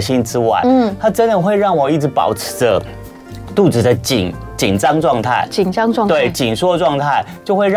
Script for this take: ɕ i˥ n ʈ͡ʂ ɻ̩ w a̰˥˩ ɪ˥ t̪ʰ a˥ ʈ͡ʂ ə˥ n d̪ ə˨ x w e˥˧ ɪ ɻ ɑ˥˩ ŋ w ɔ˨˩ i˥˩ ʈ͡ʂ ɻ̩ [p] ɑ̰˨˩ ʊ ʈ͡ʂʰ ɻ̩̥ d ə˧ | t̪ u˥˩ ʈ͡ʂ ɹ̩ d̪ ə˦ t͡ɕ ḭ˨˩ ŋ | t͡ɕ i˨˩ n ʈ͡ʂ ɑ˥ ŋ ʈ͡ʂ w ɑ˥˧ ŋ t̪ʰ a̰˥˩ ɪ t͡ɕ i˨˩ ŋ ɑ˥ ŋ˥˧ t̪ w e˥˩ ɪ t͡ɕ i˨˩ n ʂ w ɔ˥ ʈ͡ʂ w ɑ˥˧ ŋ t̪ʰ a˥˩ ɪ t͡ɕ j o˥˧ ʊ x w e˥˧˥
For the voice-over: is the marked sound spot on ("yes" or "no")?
yes